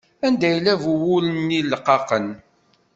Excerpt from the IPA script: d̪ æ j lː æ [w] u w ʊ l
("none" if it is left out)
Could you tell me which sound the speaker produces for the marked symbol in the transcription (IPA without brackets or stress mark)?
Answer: v